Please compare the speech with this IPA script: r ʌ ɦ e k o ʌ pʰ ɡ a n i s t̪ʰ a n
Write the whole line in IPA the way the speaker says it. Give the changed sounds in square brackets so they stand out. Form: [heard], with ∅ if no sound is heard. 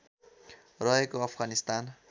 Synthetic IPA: r ʌ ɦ e k o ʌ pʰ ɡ a n i s [t̪] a n

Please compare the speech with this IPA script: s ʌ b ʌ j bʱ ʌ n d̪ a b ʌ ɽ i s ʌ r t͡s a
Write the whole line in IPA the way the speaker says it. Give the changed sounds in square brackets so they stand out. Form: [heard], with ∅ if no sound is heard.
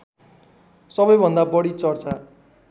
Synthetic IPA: s ʌ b ʌ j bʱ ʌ n d̪ a b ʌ ɽ i [t͡s] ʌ r t͡s a

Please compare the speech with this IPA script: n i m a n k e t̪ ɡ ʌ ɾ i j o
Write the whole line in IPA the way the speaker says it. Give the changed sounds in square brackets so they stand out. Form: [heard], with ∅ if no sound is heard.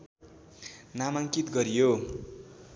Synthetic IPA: n [a] m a [ŋ] k [i] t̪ ɡ ʌ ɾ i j o

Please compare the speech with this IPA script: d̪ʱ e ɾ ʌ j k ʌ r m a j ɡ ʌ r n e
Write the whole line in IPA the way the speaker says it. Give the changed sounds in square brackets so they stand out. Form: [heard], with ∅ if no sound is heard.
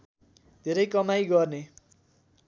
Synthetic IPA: d̪ʱ e ɾ ʌ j k ʌ [∅] m a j ɡ ʌ r n e

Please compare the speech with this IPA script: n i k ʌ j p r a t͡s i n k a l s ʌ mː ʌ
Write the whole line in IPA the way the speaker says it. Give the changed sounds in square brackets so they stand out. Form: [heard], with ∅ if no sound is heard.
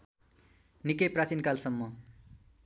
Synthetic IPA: n i k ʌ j p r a t͡s i n k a l s ʌ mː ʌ

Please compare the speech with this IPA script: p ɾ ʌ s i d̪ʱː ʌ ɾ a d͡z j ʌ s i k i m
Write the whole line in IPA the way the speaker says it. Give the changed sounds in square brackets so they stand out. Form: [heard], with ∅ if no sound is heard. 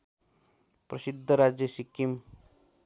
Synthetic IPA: p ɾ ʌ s i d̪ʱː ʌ ɾ a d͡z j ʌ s i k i m

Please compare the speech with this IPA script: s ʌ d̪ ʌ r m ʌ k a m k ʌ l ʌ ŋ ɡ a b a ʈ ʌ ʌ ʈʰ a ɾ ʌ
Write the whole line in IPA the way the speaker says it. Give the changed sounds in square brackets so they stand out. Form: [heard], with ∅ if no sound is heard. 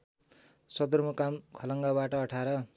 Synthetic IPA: s ʌ d̪ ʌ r m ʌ k a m [kʰ] ʌ l ʌ ŋ ɡ a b a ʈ ʌ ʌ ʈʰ a ɾ ʌ

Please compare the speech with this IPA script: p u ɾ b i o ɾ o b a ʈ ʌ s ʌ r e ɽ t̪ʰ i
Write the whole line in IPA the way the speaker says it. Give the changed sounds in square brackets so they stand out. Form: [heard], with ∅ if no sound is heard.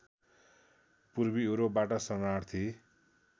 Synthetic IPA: p u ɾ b i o ɾ o b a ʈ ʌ s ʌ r [a] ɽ t̪ʰ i

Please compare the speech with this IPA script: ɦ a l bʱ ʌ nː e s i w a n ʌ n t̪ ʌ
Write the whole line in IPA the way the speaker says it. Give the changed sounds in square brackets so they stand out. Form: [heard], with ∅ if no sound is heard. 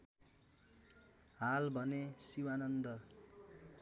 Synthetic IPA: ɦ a l bʱ ʌ [n] e s i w a n ʌ n [d̪] ʌ

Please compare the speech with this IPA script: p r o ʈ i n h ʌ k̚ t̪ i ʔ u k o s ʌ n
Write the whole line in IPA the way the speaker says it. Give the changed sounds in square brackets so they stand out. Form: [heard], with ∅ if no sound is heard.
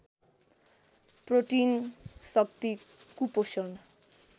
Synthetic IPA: p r o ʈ i n [s] ʌ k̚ t̪ i [k] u [p] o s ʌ n

